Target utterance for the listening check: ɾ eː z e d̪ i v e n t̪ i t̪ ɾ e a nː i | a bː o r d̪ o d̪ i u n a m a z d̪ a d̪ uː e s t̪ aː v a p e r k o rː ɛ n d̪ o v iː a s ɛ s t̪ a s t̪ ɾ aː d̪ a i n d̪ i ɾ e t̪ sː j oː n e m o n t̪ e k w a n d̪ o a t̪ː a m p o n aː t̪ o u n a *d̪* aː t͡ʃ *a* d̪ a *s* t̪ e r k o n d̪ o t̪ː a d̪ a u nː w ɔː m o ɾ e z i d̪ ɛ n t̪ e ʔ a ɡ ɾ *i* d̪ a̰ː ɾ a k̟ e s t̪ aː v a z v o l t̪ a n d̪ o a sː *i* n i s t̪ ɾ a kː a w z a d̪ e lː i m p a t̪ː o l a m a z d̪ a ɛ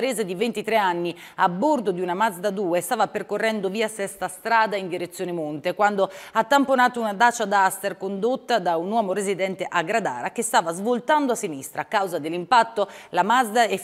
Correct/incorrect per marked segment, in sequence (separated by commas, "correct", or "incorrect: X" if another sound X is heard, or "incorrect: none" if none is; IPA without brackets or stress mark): correct, correct, correct, incorrect: a, correct